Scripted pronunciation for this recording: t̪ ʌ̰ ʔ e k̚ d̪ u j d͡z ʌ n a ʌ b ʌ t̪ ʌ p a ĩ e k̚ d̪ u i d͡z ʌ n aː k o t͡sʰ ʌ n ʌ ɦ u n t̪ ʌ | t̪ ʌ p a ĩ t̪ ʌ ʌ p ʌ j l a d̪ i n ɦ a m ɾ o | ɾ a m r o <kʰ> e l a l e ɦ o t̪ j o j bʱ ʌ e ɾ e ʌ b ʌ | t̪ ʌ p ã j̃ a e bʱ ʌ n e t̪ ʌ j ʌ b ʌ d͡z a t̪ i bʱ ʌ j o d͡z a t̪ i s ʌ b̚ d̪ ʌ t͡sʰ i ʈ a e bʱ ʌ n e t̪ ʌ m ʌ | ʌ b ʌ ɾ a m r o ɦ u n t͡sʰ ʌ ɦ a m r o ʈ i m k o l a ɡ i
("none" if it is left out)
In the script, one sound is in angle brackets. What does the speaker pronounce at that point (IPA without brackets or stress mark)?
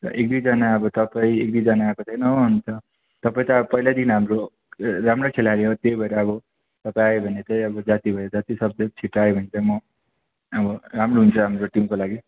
kʰ